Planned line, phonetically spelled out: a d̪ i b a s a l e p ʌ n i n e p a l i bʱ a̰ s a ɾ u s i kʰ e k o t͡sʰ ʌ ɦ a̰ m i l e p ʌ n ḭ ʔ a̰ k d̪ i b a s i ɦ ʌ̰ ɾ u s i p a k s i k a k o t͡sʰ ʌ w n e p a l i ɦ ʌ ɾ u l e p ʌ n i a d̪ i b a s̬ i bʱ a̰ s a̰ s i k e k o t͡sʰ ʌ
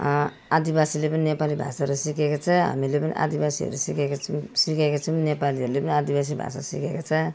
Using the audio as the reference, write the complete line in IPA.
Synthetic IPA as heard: a d̪ i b a s i l e p ʌ n i n e p a l i bʱ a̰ s a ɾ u s i k e k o t͡sʰ ʌ ɦ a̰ m i l e p ʌ n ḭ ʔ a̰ d̪ i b a s i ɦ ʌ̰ ɾ u s i k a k s i k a k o t͡sʰ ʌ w n e p a l i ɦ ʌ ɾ u l e p ʌ n i a d̪ i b a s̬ i bʱ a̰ s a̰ s i k e k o t͡sʰ ʌ